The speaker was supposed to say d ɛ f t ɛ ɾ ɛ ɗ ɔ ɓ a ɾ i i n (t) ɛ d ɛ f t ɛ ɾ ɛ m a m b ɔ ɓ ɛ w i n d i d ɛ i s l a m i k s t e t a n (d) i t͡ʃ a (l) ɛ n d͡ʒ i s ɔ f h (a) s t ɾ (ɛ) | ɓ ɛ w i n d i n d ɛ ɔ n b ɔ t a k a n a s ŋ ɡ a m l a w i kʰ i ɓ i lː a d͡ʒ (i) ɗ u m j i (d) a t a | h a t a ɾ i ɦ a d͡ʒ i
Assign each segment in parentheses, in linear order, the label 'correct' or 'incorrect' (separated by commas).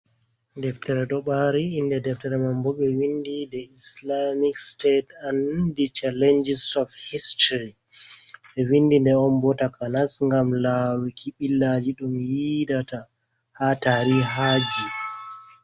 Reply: incorrect, correct, correct, incorrect, incorrect, correct, correct